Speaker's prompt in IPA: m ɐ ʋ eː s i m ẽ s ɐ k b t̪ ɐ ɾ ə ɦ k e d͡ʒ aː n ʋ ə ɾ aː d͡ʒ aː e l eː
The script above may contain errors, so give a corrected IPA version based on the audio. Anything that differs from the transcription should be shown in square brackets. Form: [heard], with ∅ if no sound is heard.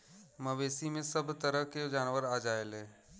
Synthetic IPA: m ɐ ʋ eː s i m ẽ s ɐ [∅] b t̪ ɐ ɾ ə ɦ k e d͡ʒ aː n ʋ ə ɾ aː d͡ʒ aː e l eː